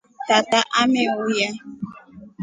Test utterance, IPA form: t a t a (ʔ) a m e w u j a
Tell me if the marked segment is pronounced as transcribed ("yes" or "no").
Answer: yes